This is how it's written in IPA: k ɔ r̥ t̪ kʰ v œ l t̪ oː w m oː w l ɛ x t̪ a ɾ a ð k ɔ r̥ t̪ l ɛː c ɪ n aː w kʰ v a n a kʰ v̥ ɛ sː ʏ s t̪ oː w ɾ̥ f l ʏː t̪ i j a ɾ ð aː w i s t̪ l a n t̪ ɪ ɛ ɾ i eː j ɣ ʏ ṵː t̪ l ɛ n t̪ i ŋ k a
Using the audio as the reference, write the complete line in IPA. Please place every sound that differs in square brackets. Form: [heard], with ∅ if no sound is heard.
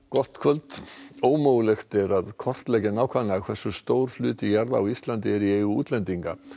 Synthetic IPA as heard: k ɔ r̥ t̪ kʰ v œ l t̪ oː w m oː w l ɛ x t̪ [ɛ] ɾ a ð [kʰ] ɔ r̥ t̪ l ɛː c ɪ n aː w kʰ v a n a kʰ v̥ ɛ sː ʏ s t̪ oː w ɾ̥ f l ʏː t̪ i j a ɾ ð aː w i s t̪ l a n t̪ ɪ ɛ ɾ i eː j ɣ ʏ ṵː t̪ l ɛ n t̪ i ŋ k a